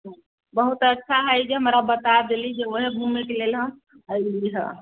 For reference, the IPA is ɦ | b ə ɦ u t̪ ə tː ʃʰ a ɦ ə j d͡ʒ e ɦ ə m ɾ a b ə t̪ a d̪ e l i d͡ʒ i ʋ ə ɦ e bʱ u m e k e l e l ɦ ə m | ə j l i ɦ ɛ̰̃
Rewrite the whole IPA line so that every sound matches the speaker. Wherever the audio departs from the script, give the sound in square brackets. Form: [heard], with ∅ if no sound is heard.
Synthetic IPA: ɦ | b ə ɦ u t̪ ə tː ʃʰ a ɦ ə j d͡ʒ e ɦ ə m ɾ a b ə t̪ a d̪ e l i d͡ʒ [e] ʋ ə ɦ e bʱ u m e k e l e l ɦ ə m | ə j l i ɦ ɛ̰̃